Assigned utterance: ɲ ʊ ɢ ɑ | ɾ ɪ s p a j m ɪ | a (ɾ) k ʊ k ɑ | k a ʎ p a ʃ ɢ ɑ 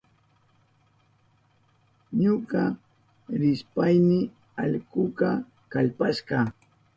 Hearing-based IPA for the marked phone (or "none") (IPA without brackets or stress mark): ʎ